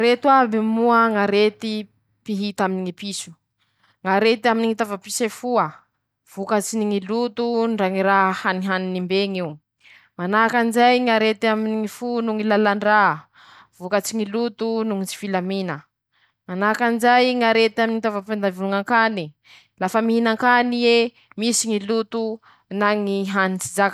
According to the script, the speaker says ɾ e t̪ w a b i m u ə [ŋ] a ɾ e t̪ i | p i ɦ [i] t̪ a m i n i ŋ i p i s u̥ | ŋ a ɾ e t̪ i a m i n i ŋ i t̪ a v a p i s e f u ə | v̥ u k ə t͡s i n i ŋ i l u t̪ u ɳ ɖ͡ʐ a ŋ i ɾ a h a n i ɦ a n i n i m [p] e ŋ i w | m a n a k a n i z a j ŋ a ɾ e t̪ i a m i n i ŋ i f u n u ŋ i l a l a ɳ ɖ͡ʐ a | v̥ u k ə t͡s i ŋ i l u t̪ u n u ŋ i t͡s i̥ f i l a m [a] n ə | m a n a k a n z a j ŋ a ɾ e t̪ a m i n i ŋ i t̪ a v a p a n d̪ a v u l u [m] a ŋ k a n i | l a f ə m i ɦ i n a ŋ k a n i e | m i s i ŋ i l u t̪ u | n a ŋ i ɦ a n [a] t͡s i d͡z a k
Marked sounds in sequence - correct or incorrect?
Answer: correct, correct, incorrect: b, incorrect: i, incorrect: ŋ, incorrect: i

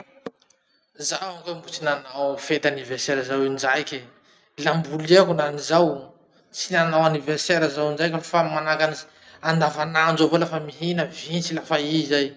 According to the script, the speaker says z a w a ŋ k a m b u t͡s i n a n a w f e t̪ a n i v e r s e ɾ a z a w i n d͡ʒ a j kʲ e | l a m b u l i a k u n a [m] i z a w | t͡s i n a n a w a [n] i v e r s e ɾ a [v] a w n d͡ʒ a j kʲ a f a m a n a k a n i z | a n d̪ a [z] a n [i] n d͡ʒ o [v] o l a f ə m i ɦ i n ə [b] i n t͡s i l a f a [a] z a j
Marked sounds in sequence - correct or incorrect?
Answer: incorrect: n, correct, incorrect: z, incorrect: v, incorrect: a, correct, incorrect: v, incorrect: i

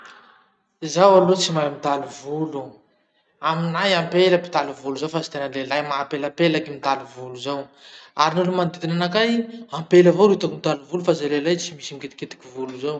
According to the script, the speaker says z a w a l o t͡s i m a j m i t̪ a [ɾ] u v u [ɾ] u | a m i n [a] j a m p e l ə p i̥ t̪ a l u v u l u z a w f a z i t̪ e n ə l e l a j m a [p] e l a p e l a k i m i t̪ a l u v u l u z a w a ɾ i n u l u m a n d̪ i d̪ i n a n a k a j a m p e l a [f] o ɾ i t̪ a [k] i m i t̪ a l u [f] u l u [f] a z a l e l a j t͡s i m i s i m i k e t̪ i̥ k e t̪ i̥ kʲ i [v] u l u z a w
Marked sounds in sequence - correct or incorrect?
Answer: incorrect: l, incorrect: l, correct, correct, incorrect: v, correct, incorrect: v, correct, correct

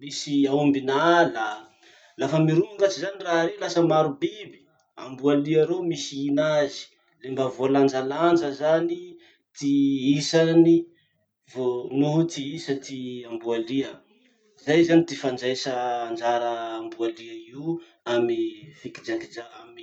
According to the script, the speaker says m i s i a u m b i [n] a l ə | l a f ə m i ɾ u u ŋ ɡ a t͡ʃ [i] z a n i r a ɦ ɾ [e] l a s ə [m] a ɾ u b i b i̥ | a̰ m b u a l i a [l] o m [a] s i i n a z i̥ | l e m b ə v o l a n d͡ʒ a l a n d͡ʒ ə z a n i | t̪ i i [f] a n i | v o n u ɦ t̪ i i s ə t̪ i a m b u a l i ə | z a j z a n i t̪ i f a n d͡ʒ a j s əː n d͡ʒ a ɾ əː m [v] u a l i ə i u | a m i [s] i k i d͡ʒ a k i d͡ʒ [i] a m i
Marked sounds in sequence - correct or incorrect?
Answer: correct, correct, correct, correct, incorrect: ɾ, incorrect: i, incorrect: s, incorrect: b, incorrect: f, incorrect: a

